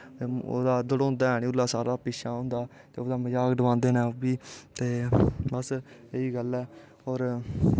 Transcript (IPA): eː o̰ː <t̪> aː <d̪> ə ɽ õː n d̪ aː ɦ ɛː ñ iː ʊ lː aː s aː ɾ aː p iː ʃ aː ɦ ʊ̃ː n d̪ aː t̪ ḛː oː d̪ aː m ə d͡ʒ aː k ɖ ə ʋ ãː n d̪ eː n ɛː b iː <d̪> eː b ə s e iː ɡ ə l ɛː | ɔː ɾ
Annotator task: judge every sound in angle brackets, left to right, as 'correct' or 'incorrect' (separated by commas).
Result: incorrect, correct, incorrect